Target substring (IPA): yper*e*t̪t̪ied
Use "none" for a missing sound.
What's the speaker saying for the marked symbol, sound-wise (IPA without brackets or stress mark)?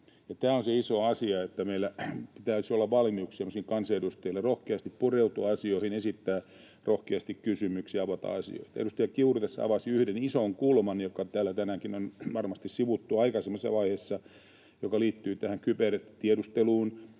e